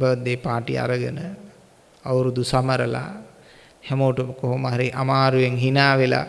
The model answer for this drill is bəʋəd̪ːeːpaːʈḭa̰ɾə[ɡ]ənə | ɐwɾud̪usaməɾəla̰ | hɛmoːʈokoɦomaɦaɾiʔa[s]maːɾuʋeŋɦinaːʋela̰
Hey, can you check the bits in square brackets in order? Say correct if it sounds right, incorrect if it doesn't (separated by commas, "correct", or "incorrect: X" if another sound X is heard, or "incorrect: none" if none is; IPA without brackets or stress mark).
correct, incorrect: none